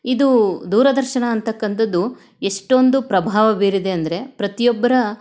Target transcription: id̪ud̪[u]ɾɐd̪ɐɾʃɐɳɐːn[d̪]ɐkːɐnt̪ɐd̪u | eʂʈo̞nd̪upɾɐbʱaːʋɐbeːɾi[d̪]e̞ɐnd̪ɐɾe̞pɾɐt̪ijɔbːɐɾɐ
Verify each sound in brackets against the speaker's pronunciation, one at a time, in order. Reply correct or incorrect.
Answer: incorrect, incorrect, correct

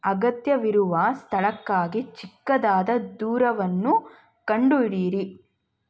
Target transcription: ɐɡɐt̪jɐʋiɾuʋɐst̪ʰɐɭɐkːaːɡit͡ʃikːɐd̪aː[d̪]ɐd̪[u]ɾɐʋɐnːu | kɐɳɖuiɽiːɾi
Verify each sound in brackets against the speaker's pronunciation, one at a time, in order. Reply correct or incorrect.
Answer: correct, incorrect

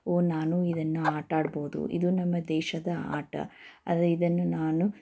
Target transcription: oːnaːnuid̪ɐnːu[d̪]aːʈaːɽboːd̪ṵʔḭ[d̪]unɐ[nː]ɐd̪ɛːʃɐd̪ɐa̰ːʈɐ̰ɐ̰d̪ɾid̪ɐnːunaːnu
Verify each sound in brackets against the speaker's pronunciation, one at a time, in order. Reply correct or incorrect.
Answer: incorrect, correct, incorrect

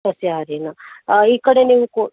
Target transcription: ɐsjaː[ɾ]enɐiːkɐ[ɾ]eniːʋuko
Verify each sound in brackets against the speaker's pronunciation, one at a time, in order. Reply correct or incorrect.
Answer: correct, incorrect

